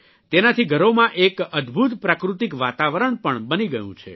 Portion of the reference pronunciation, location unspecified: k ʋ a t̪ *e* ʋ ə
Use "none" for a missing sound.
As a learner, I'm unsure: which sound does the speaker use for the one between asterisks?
a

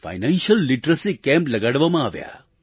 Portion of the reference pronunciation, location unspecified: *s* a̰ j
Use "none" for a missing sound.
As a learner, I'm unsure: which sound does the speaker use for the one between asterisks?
f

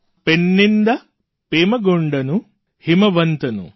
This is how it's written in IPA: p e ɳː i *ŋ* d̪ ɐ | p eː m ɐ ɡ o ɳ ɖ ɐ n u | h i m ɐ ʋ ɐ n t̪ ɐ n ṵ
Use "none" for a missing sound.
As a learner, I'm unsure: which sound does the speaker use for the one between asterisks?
n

